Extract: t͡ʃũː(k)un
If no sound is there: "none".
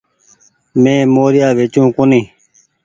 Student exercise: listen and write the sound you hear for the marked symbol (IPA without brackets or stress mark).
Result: k